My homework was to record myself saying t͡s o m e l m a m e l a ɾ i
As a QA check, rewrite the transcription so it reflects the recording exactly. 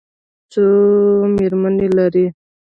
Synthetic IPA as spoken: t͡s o m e ɾ m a n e l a ɾ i

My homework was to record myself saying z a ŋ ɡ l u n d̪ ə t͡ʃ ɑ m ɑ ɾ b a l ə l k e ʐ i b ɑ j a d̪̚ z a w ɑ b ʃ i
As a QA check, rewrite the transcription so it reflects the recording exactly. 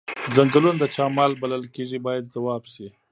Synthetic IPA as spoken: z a ŋ ɡ l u n d̪ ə t͡ʃ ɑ m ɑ l b a l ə l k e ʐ i b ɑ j a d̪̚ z a w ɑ b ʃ i

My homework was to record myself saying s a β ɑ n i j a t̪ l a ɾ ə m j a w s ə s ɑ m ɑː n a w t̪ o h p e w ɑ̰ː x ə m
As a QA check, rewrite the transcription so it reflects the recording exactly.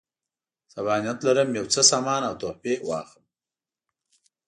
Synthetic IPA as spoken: s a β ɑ n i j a t̪ l a ɾ ə m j a w t͡s ə s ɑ m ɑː n a w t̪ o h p e w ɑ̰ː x ə m

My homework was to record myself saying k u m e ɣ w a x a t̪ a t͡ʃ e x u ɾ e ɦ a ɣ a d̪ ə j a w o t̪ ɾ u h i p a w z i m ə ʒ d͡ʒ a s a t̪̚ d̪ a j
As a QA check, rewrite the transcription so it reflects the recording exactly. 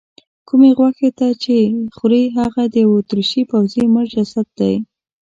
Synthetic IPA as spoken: k u m e ɣ w a x e t̪ a t͡ʃ e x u ɾ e ɦ a ɣ a d̪ ə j a w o t̪ ɾ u ʃ i p a w z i m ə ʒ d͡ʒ a s a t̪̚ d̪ a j

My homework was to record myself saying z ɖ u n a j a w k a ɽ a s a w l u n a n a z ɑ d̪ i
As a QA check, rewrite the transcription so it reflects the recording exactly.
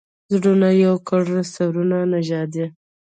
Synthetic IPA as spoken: z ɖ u n a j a w k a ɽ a s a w ɾ u n a n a ʒ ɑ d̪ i

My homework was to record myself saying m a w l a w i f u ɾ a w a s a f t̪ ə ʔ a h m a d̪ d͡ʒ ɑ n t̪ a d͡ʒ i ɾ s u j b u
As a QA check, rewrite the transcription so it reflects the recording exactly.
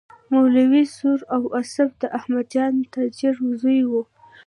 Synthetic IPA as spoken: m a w l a w i s u ɾ a w a s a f d̪ ə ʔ a h m a d̪ d͡ʒ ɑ n t̪ a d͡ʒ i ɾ z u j w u

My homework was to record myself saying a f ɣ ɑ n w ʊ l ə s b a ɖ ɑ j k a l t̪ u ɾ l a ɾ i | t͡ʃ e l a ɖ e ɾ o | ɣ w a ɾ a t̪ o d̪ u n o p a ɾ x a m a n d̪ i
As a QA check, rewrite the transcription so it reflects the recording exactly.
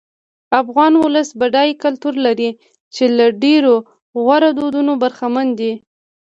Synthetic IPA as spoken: a f ɣ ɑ n w ʊ l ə s b a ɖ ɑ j k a l t̪ u ɾ l a ɾ i | t͡ʃ e l a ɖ e ɾ o | ɣ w a ɾ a d̪ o d̪ u n o b a ɾ x a m a n d̪ i

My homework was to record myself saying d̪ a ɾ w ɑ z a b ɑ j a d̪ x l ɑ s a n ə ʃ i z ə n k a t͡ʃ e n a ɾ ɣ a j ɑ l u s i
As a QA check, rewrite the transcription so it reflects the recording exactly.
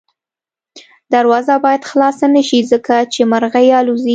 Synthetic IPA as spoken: d̪ a ɾ w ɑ z a b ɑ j a d̪ x l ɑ s a n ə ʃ i z ə k a t͡ʃ e m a ɾ ɣ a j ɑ l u z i

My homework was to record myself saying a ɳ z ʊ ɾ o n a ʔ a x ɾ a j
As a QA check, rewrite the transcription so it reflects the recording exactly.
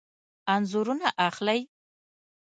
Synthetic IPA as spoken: a n z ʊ ɾ u n a ʔ a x l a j

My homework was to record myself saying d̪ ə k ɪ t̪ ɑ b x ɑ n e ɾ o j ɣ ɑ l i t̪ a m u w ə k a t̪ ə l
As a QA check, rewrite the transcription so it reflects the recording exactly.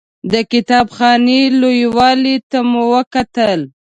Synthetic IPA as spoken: d̪ ə k ɪ t̪ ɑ b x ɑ n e l o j w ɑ l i t̪ a m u w ə k a t̪ ə l

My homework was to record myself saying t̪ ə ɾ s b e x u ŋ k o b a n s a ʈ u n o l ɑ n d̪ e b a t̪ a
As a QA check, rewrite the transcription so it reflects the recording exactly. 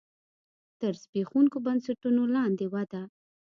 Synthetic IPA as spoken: t̪ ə ɾ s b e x u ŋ k o b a n s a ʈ u n o l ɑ n d̪ e w a d̪ a

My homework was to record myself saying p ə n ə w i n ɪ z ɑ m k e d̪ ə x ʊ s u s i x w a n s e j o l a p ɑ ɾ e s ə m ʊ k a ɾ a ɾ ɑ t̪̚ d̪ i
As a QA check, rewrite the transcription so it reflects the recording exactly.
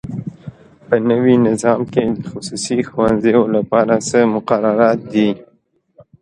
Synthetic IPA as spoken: p ə n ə w i n ɪ z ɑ m k e d̪ ə x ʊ s u s i x w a n z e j o l a p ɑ ɾ a s ə m ʊ q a ɾ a ɾ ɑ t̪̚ d̪ i

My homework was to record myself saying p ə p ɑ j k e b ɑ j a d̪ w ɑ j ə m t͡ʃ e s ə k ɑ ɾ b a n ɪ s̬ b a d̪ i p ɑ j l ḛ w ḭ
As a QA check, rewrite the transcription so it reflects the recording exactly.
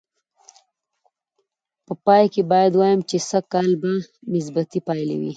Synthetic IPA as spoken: p ə p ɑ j k e b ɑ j a d̪ w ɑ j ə m t͡ʃ e s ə k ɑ l b a n ɪ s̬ b a t̪ i p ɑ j l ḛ w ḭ

